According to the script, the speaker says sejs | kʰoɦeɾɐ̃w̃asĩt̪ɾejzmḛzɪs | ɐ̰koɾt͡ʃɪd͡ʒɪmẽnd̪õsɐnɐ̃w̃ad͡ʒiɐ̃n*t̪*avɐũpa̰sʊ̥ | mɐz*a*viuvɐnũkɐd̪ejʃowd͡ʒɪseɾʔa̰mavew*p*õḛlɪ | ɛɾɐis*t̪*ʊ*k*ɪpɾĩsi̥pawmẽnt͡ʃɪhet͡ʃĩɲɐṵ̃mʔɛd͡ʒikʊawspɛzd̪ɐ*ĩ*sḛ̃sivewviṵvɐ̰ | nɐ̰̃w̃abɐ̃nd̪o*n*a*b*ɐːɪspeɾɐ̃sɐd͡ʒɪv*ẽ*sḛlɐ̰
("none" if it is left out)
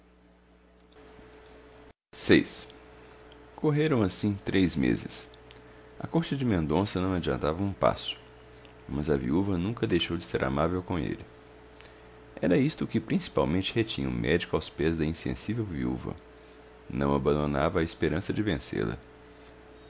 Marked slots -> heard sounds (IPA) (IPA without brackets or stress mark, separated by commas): t̪, ɐ, k, t̪, k, ĩ, n, v, ẽ